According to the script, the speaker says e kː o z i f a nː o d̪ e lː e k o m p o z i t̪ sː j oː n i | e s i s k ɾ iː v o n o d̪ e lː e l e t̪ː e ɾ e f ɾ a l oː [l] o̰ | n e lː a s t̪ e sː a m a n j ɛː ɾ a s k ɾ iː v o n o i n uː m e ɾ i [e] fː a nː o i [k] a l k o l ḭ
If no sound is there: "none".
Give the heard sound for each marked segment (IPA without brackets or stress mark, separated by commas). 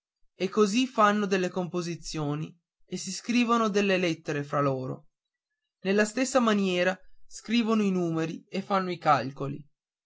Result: ɾ, e, k